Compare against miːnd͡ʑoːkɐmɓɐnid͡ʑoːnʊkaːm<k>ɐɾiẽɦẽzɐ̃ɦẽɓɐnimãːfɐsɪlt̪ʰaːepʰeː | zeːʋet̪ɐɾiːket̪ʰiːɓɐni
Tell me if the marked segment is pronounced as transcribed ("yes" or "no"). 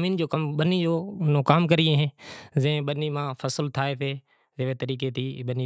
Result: yes